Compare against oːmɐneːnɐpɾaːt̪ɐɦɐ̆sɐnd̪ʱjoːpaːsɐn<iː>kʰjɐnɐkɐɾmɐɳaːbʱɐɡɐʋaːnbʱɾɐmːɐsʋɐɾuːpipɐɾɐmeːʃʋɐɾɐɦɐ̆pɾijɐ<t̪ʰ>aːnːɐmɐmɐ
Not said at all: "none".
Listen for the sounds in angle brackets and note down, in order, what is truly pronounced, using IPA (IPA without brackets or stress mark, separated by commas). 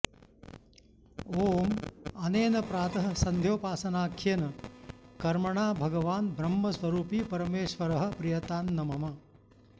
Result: aː, t̪